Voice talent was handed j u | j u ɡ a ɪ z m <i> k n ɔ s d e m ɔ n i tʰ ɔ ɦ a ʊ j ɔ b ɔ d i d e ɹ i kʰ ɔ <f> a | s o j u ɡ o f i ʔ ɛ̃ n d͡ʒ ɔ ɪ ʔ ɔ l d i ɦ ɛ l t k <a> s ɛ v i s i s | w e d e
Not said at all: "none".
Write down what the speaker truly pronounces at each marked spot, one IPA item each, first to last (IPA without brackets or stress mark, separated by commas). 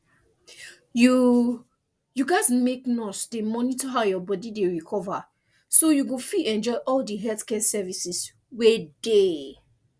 e, v, ɛ